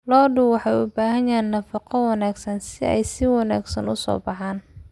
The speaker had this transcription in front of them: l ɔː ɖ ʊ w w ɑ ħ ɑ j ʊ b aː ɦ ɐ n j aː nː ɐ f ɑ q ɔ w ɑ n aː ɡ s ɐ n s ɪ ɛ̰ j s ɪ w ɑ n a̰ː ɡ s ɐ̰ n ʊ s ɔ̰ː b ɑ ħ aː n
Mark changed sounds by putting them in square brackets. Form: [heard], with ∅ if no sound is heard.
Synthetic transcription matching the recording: l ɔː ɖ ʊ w w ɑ ħ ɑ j ʊ b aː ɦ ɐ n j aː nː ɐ f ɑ q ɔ w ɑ n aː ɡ s ɐ n s ɪ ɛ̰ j s ɪ w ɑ n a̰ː ɡ s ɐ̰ n ʊ s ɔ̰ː b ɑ ħ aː n